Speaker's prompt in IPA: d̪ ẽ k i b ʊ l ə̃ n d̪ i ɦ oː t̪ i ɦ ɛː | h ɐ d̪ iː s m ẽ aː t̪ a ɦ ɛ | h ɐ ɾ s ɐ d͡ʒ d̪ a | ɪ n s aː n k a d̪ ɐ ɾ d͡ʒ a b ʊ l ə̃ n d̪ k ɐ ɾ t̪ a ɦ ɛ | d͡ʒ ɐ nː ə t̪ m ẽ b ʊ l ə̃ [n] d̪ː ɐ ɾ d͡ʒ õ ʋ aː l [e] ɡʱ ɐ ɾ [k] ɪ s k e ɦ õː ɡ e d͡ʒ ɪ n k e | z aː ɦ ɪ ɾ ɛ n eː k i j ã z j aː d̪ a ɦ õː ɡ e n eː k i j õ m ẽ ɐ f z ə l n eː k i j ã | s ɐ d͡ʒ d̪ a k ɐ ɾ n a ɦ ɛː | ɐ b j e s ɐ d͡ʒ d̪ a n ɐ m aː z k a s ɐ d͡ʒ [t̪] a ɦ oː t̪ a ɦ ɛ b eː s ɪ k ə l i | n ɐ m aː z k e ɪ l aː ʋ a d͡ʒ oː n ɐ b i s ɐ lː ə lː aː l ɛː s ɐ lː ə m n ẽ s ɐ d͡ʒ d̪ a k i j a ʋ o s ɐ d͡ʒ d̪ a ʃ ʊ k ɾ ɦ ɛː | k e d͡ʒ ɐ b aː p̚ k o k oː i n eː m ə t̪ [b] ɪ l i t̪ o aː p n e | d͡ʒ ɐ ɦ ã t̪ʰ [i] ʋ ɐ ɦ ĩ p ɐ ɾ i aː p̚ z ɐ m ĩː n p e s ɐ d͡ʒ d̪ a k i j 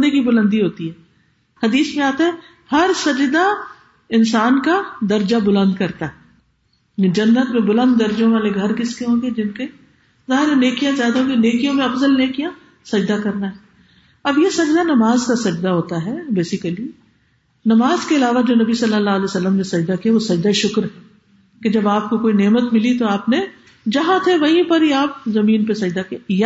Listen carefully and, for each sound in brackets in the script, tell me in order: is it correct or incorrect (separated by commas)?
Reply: correct, correct, correct, incorrect, incorrect, incorrect